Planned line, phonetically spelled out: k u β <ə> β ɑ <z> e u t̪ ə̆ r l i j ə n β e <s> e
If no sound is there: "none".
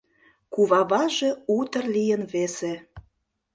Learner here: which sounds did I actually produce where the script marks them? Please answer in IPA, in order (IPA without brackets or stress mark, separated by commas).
ɑ, ʒ, s